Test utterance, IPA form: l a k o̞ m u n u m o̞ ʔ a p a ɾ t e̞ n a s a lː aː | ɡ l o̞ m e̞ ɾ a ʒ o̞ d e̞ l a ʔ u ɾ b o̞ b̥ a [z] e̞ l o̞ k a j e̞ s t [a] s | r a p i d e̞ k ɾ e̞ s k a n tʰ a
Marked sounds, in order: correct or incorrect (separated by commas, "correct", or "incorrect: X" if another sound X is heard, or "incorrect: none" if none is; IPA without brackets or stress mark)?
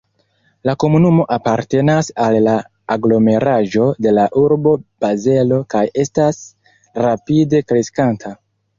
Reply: correct, correct